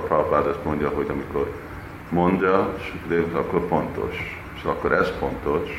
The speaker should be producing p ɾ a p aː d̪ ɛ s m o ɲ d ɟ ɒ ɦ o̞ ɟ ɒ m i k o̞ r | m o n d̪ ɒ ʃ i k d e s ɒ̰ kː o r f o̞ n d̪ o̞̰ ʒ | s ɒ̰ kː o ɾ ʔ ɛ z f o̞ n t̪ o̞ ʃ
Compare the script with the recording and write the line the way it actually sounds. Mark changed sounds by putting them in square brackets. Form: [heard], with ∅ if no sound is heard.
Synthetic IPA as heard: p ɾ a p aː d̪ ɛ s m o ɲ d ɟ ɒ ɦ o̞ ɟ ɒ m i k o̞ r | m o n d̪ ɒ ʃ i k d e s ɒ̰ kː o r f o̞ n [t̪] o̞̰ [ʃ] | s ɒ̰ kː o ɾ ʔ ɛ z f o̞ n t̪ o̞ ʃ